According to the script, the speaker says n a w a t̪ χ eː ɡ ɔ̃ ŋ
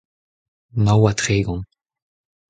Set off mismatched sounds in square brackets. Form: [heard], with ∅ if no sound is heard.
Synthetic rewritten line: [m] a w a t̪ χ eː ɡ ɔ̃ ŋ

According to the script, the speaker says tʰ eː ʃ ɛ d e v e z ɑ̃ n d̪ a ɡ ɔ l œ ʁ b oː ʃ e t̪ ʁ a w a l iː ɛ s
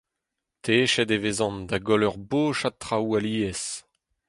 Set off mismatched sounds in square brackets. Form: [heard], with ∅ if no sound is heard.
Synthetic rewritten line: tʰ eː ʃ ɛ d e v e z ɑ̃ n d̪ a ɡ ɔ l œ ʁ b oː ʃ [a] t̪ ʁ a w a l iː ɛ s

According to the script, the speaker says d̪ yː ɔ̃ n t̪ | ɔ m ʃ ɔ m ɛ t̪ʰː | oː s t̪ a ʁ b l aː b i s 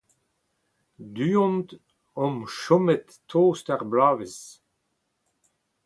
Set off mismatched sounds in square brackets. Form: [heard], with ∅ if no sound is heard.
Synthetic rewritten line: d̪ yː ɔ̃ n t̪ | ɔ m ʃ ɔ m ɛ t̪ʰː | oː s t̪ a ʁ b l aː [v] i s

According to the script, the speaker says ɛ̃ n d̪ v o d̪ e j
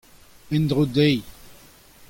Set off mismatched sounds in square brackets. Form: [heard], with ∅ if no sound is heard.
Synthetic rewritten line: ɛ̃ n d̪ [ʁ] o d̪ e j

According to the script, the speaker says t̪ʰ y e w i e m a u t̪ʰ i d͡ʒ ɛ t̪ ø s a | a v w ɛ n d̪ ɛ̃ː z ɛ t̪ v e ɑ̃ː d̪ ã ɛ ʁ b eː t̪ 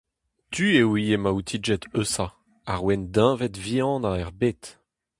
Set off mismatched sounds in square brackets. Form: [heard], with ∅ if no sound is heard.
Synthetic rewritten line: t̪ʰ y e w i e m a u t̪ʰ i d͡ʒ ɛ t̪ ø s a | a [ʁ] w ɛ n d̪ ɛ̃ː [v] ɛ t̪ v [i] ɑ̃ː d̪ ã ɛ ʁ b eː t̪

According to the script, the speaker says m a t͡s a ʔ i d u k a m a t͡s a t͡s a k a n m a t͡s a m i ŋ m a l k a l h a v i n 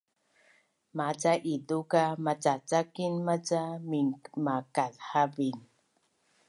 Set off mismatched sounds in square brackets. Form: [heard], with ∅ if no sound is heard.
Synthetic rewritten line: m a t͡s a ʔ i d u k a m a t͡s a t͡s a k [i] n m a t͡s a m i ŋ m a [∅] k a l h a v i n

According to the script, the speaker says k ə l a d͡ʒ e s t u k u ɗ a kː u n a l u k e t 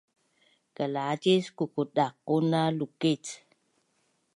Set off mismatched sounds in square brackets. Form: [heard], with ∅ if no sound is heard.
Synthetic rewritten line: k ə l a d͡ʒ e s [k] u k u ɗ a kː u n a l u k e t

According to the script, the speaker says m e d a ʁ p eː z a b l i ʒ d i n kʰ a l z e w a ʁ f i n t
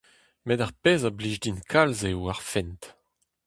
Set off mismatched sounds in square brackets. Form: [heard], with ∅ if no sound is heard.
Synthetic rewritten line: m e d a ʁ p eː z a b l i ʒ d i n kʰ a l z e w a ʁ f [ɛ] n t

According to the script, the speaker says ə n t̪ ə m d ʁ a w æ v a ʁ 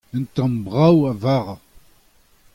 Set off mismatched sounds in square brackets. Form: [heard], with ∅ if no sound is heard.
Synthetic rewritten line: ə n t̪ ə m [b] ʁ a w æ v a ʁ

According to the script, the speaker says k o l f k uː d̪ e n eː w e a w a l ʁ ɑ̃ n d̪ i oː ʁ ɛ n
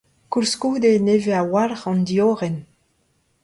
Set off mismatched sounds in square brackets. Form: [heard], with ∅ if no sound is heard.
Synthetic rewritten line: k [u] l [s] k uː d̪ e n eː [v] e a w a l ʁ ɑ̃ n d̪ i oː ʁ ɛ n

